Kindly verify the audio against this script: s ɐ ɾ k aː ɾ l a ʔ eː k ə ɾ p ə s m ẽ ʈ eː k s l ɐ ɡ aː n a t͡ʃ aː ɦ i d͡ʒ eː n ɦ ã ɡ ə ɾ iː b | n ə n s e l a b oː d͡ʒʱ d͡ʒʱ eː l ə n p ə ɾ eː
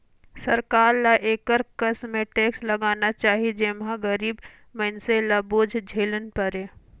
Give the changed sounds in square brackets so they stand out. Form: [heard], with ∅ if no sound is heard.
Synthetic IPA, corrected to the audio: s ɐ ɾ k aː ɾ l a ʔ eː k ə ɾ [k] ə s m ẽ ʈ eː k s l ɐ ɡ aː n a t͡ʃ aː ɦ i d͡ʒ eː [m] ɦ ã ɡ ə ɾ iː b | [m] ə n s e l a b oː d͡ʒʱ d͡ʒʱ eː l ə n p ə ɾ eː

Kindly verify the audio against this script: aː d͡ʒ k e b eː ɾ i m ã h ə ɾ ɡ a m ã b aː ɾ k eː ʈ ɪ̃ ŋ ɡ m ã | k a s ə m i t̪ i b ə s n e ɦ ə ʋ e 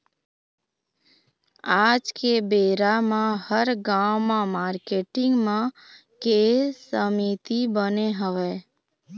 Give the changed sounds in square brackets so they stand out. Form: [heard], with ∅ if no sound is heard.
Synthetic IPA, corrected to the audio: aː d͡ʒ k e b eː ɾ [a] m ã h ə ɾ ɡ a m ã [m] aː ɾ k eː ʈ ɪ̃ ŋ ɡ m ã | k [e] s ə m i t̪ i b ə [∅] n e ɦ ə ʋ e

